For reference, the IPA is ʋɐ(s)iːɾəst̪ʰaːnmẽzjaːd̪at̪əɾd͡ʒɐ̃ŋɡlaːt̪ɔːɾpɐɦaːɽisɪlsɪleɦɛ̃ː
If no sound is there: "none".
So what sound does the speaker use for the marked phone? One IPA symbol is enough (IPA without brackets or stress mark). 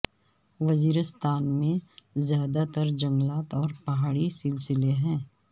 z